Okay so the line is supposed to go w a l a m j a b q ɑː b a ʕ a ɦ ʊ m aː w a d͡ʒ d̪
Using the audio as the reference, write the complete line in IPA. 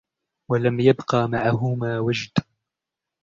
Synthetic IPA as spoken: w a l a m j a b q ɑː m a ʕ a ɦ ʊ m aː w a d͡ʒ d̪

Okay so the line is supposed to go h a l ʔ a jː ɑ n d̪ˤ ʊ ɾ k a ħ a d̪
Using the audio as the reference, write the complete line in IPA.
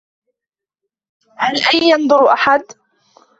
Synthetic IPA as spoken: h a l ʔ a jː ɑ n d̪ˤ ʊ ɾ ʔ a ħ a d̪

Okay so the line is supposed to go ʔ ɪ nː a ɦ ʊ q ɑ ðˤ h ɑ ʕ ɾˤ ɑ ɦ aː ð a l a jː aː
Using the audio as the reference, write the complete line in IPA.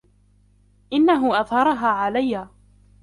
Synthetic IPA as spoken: ʔ ɪ nː a ɦ ʊ ʔ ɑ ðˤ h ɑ ɾˤ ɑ ɦ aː ʕ a l a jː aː

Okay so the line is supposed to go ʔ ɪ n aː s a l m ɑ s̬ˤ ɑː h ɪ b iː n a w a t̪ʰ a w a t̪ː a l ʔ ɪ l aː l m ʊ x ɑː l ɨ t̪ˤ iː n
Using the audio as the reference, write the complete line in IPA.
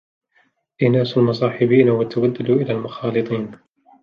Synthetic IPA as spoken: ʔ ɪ n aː s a l m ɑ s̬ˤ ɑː ħ ɪ b iː n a w a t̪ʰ a w a d̪ː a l ʔ ɪ l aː l m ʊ x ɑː l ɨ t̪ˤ iː n

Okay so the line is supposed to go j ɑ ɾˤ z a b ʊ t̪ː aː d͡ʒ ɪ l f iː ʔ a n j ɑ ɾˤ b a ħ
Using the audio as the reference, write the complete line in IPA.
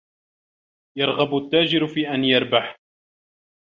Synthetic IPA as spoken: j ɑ ɾˤ ɣ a b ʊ t̪ː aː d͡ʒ ɪ ɾ f iː ʔ a n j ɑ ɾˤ b a ħ

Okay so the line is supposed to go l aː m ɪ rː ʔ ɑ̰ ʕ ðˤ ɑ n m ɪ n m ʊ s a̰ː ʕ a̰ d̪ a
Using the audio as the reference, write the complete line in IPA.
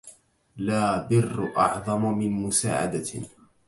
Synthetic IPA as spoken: l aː b ɪ rː ʔ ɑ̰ ʕ ðˤ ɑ m m ɪ n m ʊ s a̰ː ʕ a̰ d̪ a

